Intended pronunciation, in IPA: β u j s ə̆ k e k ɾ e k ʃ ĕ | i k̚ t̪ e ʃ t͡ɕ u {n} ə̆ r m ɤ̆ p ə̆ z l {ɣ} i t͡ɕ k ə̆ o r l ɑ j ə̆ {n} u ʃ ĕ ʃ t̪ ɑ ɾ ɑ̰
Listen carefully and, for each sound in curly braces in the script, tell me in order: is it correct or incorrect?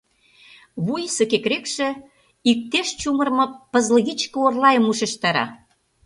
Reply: incorrect: m, correct, incorrect: m

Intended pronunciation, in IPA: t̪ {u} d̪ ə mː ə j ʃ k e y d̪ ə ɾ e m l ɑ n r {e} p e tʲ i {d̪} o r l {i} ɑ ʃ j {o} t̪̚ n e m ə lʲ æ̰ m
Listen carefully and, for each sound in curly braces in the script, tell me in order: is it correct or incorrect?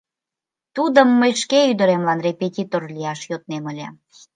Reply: correct, correct, incorrect: t̪, correct, correct

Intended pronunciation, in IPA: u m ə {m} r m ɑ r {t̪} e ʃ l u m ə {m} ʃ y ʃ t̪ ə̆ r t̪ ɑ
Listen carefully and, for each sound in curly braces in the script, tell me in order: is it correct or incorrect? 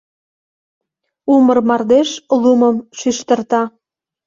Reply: incorrect: none, incorrect: d̪, correct

